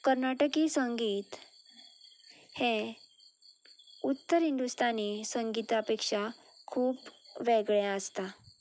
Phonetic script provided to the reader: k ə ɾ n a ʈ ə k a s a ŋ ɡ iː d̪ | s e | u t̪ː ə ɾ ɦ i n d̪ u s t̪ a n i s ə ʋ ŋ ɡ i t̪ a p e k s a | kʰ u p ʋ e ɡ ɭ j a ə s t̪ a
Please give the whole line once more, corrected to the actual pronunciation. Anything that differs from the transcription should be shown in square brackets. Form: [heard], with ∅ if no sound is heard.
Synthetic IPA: k ə ɾ n a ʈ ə k [i] s [ə] ŋ ɡ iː [t̪] | [h] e | u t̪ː ə ɾ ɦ i n d̪ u s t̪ a n i s ə [∅] ŋ ɡ i t̪ a p e k [ʂ] a | kʰ [uː] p ʋ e ɡ ɭ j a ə s t̪ a